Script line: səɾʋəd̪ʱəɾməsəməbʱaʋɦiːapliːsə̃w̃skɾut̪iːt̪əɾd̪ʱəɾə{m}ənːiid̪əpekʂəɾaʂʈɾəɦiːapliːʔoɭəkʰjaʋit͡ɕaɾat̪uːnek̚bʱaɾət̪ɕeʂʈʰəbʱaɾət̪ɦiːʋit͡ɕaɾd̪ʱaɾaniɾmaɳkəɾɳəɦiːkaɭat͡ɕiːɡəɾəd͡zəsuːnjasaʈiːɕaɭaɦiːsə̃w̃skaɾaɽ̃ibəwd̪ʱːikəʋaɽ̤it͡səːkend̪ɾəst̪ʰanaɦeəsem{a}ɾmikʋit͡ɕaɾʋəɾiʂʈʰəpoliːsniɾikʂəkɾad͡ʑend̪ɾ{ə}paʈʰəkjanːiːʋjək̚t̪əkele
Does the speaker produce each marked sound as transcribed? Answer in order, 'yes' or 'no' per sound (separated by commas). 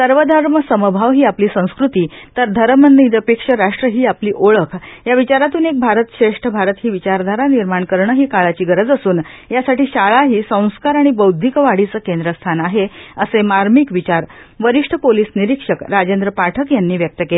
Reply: yes, yes, yes